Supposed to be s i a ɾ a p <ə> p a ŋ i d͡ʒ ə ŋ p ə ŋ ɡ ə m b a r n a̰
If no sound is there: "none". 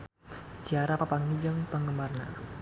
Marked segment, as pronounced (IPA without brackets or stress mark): a